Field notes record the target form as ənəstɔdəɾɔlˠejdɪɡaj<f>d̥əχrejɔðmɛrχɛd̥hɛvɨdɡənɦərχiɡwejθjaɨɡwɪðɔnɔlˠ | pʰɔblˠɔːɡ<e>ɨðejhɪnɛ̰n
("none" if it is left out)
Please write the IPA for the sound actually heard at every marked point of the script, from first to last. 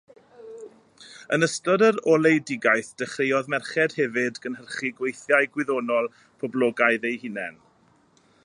θ, a

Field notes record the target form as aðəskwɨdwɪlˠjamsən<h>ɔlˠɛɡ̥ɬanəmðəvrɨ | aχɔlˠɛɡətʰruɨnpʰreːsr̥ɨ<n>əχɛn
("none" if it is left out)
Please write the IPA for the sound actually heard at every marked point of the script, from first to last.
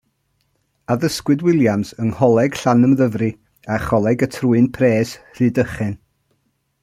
h, d

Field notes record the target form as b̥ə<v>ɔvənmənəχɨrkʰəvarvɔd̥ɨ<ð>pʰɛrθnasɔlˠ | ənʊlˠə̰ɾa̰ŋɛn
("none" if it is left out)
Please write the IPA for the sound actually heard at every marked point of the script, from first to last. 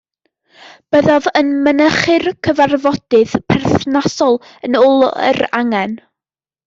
ð, ð

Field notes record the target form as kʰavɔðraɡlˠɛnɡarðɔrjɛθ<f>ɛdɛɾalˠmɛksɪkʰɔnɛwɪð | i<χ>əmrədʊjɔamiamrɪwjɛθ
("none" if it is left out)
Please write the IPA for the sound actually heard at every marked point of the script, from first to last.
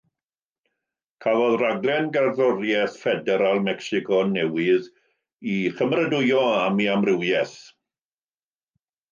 f, χ

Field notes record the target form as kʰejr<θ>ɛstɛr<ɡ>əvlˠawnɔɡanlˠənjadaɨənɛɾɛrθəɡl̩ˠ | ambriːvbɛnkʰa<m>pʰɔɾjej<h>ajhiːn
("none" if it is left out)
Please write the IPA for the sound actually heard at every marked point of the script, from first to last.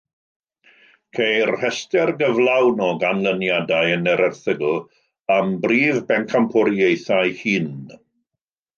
h, ɡ, m, θ

